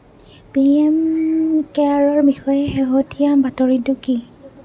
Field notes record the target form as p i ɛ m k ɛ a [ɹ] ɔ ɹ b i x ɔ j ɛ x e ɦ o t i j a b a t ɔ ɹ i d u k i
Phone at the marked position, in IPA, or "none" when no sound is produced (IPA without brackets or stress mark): ɹ